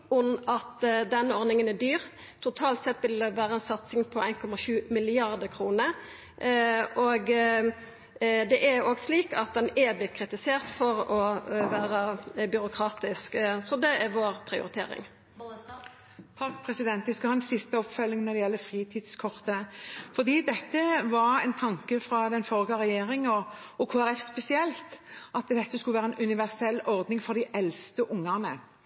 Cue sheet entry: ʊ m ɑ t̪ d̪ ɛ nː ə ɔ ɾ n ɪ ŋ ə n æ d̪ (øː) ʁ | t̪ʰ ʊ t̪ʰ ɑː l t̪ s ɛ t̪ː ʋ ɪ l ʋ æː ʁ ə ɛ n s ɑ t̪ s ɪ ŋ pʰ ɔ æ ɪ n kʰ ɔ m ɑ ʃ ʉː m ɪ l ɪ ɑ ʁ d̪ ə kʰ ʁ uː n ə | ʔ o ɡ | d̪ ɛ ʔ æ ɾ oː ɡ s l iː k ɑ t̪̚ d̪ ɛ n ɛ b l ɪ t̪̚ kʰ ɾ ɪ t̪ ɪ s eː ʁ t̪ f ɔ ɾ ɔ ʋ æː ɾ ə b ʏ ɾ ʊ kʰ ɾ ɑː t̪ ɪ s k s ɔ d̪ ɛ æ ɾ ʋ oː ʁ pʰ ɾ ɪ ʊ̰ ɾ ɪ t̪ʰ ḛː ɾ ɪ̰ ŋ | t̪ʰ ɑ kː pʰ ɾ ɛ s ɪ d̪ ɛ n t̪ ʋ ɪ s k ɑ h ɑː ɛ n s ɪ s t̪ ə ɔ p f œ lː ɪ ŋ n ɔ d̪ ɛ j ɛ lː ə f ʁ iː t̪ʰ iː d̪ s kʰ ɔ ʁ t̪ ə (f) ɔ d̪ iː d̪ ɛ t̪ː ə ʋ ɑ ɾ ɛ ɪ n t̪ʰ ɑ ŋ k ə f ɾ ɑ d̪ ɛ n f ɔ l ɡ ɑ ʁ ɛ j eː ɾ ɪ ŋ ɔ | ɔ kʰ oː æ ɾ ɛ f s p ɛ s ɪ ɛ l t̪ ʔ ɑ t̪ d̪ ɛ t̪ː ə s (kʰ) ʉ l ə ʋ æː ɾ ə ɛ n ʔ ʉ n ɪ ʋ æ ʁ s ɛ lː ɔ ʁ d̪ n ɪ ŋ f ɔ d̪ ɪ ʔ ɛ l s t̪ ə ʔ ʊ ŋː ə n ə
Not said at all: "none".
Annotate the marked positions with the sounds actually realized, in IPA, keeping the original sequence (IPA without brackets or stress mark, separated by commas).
yː, f, k